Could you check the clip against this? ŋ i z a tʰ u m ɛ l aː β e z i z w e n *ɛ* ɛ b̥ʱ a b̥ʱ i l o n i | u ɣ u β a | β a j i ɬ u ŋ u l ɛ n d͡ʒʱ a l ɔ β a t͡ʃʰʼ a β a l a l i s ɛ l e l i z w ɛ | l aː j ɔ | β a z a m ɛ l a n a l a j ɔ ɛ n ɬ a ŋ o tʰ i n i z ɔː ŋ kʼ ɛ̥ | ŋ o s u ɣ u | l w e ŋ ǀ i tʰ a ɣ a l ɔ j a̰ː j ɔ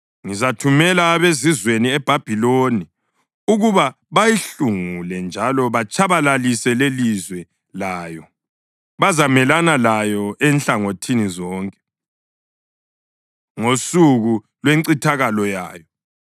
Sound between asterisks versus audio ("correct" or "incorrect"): incorrect